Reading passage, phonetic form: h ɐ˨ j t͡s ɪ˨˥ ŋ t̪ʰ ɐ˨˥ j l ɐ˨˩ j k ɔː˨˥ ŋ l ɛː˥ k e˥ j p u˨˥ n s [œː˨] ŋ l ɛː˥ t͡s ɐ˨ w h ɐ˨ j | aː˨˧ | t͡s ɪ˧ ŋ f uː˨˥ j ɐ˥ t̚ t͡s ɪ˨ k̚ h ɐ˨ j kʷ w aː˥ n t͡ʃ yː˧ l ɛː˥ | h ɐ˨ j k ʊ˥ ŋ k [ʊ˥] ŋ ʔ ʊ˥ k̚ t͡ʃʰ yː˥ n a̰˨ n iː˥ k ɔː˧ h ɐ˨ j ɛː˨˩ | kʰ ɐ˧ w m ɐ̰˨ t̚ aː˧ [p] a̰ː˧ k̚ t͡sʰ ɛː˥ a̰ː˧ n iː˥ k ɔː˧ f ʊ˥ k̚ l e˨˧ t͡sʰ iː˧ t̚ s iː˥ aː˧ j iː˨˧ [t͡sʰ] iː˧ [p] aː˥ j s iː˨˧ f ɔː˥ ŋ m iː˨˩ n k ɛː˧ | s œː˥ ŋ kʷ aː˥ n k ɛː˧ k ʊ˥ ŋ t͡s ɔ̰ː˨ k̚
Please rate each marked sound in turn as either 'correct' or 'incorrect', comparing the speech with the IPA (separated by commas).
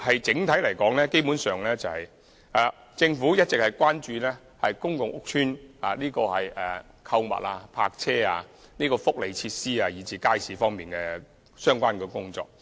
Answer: correct, incorrect, incorrect, incorrect, incorrect